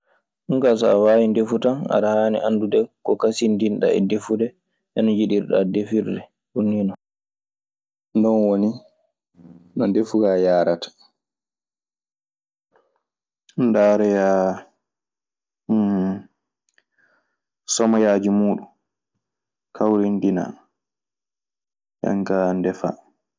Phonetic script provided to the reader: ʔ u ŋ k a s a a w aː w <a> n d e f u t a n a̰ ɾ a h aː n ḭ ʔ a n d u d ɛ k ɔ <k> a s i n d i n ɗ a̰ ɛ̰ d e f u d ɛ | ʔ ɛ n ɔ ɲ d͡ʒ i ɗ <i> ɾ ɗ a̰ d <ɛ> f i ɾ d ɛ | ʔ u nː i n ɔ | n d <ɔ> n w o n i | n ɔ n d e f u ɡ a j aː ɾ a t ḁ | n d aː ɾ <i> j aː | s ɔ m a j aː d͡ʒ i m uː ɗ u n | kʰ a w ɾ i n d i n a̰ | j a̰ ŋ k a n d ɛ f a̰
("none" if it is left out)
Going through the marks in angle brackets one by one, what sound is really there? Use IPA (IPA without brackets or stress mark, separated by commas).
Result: i, k, i, e, ɔ, ɛ